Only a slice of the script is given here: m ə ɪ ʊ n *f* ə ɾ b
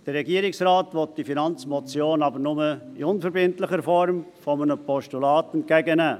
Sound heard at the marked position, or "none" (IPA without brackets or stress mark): f